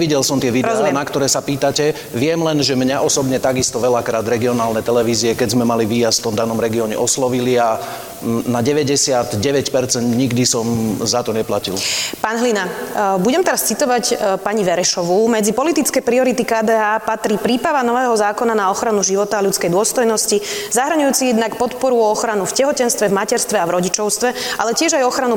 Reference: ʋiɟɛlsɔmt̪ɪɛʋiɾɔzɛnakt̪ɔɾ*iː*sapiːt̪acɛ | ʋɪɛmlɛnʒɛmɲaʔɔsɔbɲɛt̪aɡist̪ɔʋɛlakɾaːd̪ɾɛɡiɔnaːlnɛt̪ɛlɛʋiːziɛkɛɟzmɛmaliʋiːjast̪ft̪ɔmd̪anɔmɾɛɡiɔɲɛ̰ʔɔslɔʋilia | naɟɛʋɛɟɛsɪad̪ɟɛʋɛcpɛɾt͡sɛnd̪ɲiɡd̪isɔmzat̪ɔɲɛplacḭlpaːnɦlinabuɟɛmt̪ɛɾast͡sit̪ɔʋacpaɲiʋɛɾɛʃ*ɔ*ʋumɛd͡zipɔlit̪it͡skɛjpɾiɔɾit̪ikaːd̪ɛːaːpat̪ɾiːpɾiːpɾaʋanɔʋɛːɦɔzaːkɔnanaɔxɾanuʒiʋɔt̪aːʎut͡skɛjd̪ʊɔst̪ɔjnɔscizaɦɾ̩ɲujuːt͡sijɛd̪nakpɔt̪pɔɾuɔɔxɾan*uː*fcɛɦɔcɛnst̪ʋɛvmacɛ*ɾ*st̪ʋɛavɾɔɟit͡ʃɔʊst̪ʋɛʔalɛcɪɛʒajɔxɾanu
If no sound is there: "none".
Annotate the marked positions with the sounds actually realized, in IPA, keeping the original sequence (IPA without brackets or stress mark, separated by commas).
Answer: ɛː, ɔ, u, ɾ